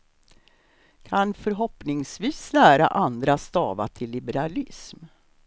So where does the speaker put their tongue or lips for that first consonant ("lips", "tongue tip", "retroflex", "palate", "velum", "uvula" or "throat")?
velum